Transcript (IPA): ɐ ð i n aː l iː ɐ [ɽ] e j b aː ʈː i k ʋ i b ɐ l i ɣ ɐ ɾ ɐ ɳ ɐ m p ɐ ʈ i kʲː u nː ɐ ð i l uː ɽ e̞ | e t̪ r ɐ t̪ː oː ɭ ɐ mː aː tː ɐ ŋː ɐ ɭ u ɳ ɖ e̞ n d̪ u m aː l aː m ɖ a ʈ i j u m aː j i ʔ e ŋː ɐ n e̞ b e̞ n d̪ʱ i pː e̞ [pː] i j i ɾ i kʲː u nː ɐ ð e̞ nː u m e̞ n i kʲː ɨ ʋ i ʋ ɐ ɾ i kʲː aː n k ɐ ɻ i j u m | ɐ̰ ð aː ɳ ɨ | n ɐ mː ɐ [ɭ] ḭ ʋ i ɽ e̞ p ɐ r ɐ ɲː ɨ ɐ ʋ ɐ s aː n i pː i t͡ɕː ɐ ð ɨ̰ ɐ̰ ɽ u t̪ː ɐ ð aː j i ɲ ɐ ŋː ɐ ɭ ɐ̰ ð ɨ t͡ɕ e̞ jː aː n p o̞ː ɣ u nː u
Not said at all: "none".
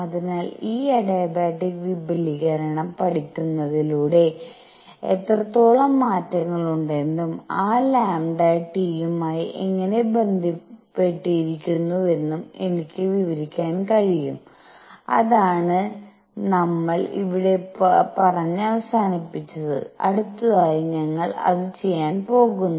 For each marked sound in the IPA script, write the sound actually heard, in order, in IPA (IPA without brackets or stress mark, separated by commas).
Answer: ɽ, ʈː, ɭ